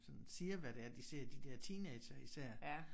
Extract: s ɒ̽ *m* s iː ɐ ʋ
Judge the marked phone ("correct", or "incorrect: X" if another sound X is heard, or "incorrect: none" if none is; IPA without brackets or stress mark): incorrect: n